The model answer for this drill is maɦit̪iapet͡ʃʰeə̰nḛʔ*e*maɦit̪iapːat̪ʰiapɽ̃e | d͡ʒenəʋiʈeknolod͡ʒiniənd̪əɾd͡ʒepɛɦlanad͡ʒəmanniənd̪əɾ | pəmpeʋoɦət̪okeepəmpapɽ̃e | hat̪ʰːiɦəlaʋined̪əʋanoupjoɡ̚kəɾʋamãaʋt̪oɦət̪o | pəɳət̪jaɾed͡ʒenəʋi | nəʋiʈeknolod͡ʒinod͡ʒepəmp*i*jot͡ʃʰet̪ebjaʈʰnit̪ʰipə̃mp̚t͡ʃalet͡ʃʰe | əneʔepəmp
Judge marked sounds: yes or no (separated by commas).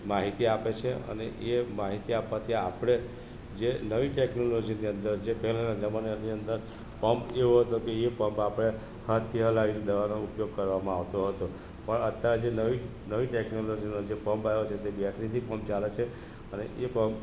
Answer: yes, no